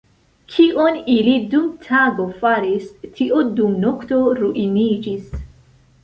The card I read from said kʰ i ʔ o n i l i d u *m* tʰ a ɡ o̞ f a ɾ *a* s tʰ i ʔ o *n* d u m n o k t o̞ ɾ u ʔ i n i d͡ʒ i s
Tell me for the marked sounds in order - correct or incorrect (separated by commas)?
correct, incorrect, incorrect